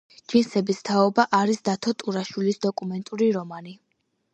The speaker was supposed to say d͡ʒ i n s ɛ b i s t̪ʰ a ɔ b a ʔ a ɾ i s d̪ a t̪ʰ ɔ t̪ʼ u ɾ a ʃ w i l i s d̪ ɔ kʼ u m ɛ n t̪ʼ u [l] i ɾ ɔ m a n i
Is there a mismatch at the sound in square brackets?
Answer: yes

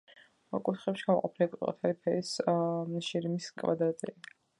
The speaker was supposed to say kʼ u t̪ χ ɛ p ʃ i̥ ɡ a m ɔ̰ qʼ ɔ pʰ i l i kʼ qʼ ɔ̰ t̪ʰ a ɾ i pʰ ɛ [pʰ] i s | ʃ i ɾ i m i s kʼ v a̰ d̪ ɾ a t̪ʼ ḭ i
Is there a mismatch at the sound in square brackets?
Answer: yes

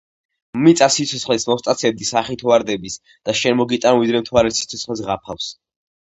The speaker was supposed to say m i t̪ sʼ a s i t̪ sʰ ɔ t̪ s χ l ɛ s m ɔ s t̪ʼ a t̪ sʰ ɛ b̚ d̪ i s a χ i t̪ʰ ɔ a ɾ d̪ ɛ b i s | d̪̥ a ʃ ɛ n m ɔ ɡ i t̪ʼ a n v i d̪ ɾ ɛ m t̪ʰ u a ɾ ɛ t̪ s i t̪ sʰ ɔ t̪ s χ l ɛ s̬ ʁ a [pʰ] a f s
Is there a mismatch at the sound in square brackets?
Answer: no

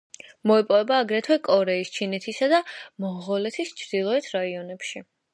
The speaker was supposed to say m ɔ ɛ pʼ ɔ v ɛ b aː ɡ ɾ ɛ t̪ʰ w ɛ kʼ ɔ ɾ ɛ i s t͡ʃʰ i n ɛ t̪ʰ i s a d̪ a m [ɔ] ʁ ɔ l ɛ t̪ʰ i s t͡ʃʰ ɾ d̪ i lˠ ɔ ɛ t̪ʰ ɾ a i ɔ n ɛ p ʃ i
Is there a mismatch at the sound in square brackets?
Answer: no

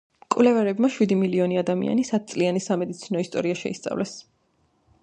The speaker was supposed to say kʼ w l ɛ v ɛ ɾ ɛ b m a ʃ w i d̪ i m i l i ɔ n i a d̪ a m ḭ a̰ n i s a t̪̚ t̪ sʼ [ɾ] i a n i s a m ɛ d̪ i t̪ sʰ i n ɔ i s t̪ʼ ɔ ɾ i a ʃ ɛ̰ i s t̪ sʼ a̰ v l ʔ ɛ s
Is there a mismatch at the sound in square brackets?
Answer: yes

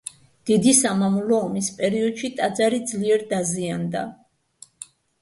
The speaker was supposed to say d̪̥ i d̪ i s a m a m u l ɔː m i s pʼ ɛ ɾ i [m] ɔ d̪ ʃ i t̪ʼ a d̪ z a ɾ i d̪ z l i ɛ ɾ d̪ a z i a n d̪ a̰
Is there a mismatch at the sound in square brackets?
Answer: yes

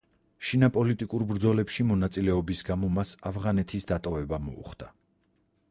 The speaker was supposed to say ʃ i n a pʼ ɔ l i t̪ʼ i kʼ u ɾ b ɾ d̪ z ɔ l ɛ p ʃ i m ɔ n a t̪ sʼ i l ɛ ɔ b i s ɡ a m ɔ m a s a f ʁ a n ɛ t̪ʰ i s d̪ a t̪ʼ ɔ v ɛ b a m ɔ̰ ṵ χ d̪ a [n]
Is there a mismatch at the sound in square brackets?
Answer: yes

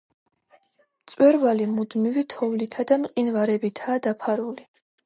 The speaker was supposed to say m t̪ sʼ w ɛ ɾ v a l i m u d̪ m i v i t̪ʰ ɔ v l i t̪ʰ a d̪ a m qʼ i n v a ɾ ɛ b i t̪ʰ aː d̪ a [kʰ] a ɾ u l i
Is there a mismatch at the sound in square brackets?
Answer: yes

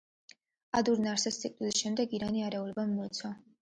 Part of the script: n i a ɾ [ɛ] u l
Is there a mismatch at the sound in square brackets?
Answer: no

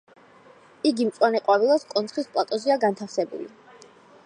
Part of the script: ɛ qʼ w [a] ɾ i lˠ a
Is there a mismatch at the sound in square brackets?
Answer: no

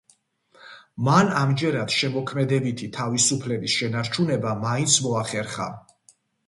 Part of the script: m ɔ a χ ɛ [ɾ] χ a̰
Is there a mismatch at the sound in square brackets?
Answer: no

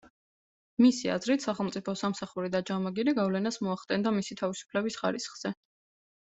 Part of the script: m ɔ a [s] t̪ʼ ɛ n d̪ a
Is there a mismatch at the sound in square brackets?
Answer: yes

